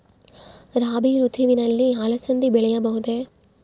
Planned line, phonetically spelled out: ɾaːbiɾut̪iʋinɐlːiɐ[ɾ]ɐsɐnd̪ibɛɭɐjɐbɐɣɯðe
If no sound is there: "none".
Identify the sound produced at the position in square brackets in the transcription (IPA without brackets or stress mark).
l